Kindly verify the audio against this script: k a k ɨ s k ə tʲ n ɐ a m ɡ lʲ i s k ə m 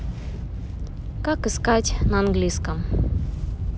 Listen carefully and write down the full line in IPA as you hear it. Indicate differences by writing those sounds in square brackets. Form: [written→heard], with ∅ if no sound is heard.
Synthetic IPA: k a k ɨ s k [ə→a] tʲ n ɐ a [m→n] ɡ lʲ i s k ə m